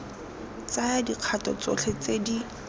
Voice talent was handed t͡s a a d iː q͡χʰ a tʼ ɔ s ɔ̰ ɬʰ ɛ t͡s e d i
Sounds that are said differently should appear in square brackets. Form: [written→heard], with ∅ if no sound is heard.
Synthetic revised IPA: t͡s a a d [iː→i] q͡χʰ a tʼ ɔ [s→t͡s] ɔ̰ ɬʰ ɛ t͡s e d i